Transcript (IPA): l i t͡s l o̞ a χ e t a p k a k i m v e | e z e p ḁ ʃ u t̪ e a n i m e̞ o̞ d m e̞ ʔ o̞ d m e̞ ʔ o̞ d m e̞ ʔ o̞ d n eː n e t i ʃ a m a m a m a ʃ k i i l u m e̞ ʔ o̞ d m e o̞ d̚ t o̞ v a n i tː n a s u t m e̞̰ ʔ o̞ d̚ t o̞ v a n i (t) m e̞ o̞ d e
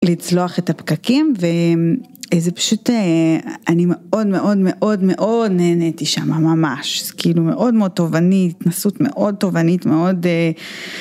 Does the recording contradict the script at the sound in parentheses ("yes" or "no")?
no